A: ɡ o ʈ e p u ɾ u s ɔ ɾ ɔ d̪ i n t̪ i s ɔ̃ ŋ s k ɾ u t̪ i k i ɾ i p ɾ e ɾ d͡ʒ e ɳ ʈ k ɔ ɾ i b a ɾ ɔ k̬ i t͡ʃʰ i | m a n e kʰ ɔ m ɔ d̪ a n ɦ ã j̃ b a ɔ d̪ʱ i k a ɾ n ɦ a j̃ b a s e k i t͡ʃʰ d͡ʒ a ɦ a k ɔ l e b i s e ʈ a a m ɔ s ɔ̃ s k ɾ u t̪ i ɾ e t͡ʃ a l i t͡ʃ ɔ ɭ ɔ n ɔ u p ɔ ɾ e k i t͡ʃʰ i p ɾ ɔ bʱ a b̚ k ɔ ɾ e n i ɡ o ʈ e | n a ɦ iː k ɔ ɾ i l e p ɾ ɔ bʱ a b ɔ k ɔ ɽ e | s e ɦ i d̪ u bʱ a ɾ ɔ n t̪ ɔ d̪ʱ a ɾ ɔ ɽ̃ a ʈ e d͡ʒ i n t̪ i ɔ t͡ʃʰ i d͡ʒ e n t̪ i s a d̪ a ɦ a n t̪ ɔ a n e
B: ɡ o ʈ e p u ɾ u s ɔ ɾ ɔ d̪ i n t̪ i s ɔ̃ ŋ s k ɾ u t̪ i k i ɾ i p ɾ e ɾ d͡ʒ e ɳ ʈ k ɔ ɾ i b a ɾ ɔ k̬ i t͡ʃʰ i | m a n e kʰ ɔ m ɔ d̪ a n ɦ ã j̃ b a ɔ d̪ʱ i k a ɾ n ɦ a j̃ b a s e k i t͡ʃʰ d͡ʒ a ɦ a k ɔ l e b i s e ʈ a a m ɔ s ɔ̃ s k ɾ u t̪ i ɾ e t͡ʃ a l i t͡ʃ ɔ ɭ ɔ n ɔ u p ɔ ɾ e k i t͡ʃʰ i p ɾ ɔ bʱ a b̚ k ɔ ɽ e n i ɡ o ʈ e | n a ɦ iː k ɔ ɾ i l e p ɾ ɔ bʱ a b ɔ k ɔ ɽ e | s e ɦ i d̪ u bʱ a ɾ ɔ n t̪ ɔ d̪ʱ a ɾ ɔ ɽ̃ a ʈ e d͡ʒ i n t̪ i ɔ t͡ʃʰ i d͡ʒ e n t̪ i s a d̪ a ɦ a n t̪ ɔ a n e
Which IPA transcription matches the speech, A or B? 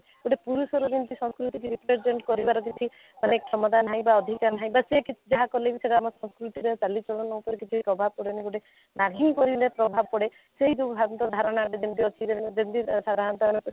B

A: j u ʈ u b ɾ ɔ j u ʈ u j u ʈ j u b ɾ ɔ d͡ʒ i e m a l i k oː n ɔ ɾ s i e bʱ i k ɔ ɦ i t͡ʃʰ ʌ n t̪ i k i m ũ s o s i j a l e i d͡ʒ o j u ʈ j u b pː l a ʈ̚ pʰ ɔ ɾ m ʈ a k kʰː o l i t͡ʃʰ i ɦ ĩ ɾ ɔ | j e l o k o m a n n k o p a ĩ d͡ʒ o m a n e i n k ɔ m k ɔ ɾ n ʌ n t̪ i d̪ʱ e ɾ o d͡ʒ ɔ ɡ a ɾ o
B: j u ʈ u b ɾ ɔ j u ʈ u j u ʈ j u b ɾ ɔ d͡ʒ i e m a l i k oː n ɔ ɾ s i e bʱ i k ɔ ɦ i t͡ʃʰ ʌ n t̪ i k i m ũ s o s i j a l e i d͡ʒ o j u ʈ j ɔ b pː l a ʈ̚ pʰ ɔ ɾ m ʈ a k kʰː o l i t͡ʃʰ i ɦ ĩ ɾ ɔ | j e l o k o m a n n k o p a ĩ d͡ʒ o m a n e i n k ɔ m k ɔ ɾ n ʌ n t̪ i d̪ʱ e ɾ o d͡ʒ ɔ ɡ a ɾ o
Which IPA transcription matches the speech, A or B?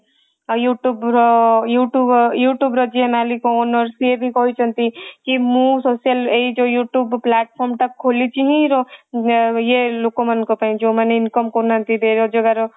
A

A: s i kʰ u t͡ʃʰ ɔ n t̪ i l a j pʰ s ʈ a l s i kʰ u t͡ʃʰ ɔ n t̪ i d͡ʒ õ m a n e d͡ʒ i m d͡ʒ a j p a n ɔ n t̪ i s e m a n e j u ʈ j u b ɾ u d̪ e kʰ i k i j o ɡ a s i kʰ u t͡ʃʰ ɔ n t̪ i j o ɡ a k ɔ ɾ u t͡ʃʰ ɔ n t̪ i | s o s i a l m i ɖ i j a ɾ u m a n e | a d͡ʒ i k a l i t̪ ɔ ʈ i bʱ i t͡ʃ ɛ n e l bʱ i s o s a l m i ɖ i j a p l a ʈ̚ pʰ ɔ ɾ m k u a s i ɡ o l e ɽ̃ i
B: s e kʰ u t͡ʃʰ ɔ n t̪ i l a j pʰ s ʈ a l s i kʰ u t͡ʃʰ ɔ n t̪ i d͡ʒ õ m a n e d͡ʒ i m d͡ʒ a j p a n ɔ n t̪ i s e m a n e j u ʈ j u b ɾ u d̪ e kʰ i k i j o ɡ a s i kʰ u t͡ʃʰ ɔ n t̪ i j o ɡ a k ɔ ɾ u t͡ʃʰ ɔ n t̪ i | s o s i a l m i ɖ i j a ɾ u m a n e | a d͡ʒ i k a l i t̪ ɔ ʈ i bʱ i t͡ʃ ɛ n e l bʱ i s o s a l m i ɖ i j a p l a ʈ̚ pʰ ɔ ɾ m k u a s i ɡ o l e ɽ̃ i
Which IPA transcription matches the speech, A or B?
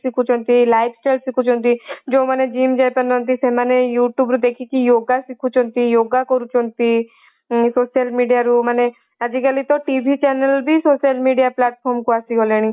A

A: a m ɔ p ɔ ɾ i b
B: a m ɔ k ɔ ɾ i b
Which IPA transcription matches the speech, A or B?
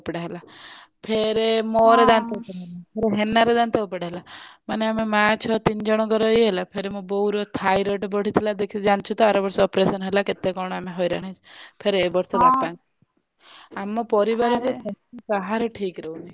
A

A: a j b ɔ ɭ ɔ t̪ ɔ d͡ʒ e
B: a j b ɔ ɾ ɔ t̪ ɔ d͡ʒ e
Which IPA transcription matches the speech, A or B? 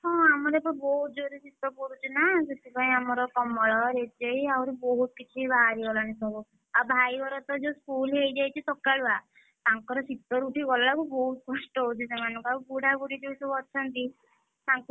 B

